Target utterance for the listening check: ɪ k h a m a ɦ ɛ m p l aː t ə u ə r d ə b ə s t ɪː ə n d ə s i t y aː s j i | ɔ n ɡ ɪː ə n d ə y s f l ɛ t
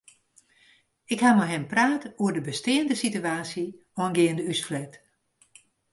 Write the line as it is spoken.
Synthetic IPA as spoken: ɪ k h a m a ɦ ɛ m p r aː t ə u ə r d ə b ə s t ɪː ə n d ə s i t y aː s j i | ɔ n ɡ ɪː ə n d ə y s f l ɛ t

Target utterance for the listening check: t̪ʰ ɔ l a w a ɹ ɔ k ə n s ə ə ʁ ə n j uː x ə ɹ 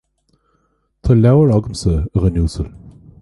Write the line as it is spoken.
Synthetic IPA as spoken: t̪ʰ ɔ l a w ə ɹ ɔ ɡ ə m s ə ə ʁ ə n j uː s ə l

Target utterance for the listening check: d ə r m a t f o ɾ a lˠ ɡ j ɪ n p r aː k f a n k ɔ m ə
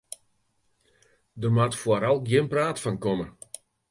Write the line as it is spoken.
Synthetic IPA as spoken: d ə r m a t f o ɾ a lˠ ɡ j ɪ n p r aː t f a n k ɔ m ə

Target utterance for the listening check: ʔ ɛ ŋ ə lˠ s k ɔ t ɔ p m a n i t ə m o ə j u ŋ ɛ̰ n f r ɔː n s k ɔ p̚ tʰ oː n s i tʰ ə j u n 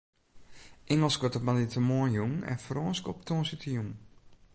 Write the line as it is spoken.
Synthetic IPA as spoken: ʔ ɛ ŋ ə lˠ s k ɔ t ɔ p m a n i t ə m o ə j u ŋ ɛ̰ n f r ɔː n s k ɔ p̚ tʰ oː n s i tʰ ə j u ŋ

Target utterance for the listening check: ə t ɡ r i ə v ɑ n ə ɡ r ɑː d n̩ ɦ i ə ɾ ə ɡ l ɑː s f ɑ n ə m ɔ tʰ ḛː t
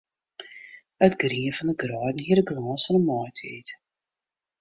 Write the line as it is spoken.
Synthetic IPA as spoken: ə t ɡ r i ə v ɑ n ə ɡ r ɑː d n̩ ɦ i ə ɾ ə ɡ l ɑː s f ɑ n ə m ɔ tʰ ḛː t

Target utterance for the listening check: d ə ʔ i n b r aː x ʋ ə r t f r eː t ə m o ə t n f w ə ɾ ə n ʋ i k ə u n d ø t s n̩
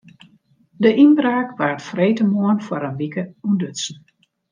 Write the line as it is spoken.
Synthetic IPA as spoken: d ə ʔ i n b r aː k ʋ a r t f r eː t ə m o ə n f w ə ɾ ə n ʋ i k ə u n d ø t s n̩

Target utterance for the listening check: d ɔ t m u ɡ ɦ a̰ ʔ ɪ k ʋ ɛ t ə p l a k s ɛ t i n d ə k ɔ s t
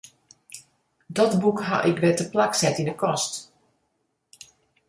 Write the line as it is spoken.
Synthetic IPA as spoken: d ɔ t b u k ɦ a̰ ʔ ɪ k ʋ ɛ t ə p l a k s ɛ t i n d ə k ɔ s t

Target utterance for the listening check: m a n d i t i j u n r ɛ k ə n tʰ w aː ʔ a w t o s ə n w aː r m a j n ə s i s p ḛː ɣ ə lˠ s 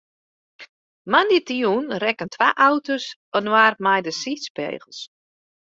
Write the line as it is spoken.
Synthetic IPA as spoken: m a n d i t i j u n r ɛ k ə n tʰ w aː ʔ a w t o s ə n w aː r m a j d ə s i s p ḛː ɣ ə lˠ s

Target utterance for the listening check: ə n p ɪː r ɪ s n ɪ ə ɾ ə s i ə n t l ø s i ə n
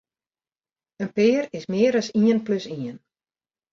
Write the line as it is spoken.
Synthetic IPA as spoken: ə n p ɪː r ɪ s m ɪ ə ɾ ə s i ə n p l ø s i ə n

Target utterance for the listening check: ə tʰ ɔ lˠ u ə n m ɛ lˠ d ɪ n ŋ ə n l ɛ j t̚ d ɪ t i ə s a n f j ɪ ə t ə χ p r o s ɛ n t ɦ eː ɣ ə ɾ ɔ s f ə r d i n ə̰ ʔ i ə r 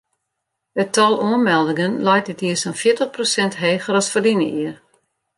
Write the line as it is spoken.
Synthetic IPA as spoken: ə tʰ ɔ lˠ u ə n m ɛ lˠ d ɪ ŋ ə n l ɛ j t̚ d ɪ t i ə s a n f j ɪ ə t ə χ p r o s ɛ n t ɦ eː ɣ ə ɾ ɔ s f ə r d i n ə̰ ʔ i ə r

